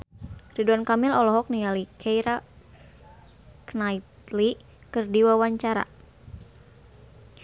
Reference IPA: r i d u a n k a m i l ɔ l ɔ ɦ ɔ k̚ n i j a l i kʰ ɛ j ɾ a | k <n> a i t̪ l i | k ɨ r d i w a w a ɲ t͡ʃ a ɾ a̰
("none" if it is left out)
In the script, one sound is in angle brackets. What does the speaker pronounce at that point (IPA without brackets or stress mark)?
n